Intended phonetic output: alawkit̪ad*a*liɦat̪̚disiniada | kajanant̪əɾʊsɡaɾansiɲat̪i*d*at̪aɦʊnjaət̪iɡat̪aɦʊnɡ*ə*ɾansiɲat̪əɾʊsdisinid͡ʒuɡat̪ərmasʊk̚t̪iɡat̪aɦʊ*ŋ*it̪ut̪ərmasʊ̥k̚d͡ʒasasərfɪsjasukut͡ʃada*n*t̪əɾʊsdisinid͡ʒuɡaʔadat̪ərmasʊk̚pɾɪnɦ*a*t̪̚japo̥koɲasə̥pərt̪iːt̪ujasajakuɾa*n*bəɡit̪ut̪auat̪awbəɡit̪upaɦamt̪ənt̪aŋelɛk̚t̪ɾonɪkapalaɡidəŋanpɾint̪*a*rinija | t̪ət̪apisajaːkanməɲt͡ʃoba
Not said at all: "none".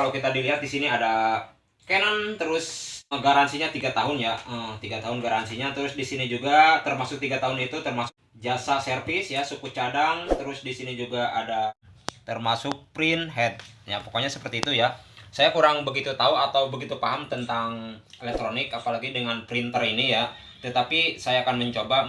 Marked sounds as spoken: i, ɡ, a, n, ŋ, ɛ, ŋ, ə

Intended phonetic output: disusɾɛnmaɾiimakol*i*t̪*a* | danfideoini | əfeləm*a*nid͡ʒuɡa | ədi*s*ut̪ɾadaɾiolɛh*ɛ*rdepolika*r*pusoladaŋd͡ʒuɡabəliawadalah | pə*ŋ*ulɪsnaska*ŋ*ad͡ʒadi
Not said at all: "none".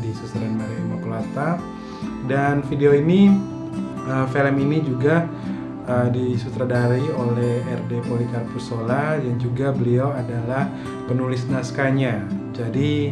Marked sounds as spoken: a, a, i, s, ɛ, r, n, ɲ

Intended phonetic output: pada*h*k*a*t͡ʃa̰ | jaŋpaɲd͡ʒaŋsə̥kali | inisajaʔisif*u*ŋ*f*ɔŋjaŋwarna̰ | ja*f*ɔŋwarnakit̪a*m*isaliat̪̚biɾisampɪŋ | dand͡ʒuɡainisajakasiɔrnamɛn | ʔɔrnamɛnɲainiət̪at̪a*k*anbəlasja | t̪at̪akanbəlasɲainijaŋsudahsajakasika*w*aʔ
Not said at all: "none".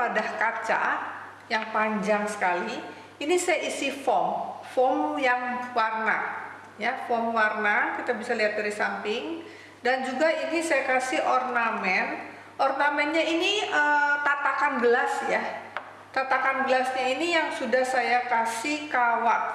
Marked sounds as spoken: h, a, ɔ, f, f, b, k, w

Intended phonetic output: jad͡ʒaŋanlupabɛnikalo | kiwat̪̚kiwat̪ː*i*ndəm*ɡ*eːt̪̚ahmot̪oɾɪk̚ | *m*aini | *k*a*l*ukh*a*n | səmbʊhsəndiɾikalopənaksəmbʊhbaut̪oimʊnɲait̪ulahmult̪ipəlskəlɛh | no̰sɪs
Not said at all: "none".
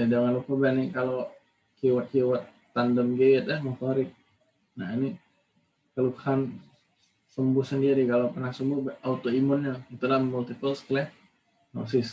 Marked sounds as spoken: a, ɡ, n, k, l, a

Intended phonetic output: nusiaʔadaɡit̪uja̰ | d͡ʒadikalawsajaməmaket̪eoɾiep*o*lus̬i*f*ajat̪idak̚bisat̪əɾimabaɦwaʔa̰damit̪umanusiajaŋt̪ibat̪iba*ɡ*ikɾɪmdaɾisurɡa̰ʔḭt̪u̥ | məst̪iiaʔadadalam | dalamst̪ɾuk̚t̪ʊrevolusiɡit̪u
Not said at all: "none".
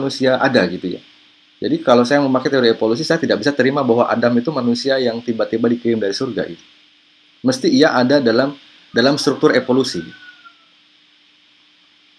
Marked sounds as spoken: o, s, d

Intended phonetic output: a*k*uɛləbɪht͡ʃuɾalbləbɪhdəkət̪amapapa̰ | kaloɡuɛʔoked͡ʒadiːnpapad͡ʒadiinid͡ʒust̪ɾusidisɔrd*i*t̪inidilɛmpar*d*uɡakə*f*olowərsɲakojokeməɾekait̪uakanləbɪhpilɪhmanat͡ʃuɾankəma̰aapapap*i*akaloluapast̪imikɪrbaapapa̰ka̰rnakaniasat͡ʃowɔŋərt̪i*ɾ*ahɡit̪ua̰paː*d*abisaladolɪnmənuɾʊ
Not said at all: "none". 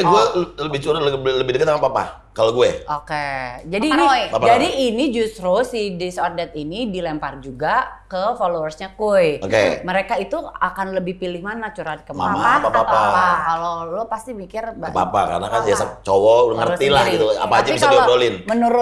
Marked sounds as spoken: ɡ, ɛ, d͡ʒ, f, a, l, d͡ʒ

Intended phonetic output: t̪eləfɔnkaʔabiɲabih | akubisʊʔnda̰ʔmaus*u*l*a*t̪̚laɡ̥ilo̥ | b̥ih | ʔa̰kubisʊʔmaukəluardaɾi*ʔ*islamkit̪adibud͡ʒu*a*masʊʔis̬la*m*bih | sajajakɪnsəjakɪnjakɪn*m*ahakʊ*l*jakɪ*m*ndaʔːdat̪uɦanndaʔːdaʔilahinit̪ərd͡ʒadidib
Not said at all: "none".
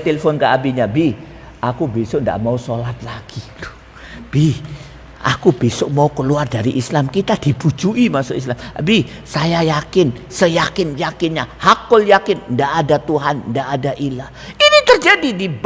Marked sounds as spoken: o, a, ʔ, i, m, ɲ, l, n

